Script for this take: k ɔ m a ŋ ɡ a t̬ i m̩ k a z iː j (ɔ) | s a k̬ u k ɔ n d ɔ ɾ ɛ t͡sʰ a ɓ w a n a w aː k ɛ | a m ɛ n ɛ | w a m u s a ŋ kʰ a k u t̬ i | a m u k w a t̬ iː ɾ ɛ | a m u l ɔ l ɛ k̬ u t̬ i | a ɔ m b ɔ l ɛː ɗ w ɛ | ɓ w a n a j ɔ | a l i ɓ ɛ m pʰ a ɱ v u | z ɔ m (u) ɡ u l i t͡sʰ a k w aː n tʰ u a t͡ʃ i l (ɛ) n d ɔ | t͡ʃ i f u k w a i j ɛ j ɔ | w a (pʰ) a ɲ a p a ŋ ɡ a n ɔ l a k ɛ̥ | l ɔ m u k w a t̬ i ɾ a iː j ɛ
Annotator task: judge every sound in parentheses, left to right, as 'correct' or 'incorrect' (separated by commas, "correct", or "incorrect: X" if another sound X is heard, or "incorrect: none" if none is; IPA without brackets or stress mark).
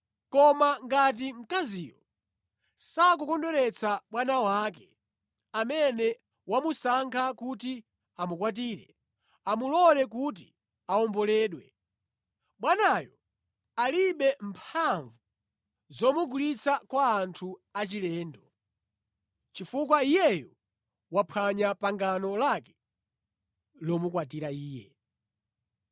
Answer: correct, correct, incorrect: ɛː, correct